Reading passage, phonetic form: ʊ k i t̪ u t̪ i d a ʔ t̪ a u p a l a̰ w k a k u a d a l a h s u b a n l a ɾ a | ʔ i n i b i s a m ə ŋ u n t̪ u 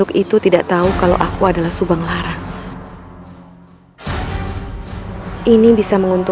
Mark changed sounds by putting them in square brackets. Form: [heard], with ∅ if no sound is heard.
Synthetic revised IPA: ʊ k i t̪ u t̪ i d a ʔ t̪ a u [k] a l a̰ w [ʔ] a k u a d a l a h s u b a [ŋ] l a ɾ a | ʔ i n i b i s a m ə ŋ u n t̪ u